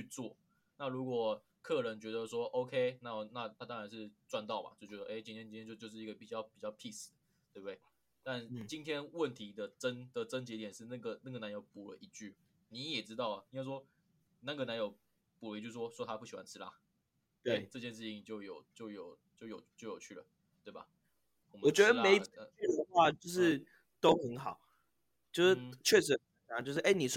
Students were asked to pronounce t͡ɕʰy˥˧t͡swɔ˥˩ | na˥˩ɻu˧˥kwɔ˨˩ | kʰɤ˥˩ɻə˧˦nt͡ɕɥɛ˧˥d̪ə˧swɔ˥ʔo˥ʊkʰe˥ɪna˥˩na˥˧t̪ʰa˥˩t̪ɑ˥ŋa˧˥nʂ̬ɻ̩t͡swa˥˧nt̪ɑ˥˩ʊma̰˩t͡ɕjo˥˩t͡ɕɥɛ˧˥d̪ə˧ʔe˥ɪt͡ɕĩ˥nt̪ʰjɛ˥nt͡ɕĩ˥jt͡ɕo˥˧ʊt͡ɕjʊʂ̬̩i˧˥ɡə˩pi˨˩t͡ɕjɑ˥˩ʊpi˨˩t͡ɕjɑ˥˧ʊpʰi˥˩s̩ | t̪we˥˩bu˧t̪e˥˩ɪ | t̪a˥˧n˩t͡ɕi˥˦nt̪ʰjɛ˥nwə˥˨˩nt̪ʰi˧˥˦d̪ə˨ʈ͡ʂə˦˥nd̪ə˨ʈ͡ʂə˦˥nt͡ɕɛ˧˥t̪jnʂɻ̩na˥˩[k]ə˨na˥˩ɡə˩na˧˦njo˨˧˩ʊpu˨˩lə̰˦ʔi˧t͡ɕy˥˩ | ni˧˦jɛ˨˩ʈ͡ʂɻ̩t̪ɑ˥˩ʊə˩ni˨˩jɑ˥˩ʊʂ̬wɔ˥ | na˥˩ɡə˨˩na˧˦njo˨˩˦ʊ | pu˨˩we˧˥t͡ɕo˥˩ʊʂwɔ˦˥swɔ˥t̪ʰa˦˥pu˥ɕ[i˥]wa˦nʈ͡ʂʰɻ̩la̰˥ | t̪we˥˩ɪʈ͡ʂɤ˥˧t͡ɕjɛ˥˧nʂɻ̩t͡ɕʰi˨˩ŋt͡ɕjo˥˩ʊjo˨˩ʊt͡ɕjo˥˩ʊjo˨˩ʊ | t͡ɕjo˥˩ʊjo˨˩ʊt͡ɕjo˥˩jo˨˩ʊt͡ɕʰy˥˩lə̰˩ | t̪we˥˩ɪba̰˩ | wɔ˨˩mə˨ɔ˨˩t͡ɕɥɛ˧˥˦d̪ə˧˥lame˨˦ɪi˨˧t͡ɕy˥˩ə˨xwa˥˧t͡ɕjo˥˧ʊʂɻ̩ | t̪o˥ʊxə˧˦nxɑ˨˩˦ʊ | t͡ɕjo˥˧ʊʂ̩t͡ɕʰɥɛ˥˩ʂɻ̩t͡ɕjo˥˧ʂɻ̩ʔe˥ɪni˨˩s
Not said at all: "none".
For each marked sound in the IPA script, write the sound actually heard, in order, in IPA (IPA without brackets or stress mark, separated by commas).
ɡ, i˨˩